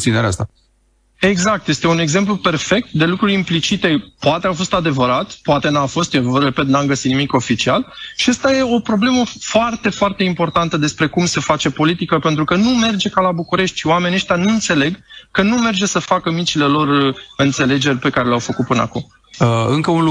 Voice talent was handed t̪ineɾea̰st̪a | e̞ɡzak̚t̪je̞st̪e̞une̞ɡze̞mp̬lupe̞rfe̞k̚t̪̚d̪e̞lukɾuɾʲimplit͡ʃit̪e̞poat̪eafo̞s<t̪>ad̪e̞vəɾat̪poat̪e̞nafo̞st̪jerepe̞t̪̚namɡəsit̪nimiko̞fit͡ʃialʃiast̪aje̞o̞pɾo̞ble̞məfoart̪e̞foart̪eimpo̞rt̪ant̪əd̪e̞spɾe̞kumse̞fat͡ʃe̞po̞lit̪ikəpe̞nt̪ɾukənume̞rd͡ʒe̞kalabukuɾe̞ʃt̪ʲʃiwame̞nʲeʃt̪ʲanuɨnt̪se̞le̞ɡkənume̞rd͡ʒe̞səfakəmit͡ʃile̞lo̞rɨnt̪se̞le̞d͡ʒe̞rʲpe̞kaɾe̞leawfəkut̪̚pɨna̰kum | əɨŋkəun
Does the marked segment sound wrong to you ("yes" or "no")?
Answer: no